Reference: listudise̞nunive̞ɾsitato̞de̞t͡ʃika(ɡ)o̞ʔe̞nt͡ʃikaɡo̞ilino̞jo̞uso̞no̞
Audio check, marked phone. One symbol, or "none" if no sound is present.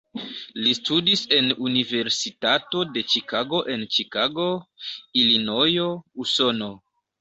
ɡ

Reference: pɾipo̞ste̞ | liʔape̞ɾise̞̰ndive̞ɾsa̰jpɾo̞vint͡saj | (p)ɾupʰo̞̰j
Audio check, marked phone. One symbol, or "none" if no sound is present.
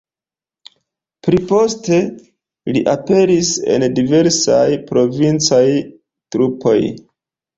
t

